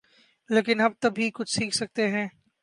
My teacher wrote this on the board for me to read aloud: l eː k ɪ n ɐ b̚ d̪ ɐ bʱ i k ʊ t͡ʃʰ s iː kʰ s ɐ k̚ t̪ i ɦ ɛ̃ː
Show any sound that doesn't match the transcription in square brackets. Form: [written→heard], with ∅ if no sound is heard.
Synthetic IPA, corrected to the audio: l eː k ɪ n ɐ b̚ [d̪→t̪] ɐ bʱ i k ʊ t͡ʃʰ s iː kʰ s ɐ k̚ t̪ [i→e] ɦ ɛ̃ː